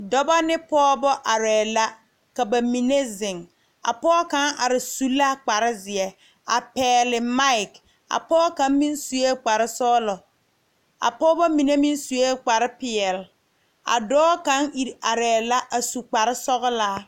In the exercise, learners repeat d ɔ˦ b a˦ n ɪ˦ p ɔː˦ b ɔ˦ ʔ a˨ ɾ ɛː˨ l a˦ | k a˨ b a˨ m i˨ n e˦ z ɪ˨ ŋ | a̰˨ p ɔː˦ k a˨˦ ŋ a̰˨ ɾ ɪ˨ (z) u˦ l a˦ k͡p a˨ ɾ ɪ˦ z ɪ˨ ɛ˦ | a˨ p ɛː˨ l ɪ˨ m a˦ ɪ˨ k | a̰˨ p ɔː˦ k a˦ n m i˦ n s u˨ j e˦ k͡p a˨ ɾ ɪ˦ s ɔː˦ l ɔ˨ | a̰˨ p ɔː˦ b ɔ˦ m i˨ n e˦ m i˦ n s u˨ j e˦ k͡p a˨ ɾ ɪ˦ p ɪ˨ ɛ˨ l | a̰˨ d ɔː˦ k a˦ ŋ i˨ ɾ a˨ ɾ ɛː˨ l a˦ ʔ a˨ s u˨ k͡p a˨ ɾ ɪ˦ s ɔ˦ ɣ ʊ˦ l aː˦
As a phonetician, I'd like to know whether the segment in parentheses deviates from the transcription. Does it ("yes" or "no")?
yes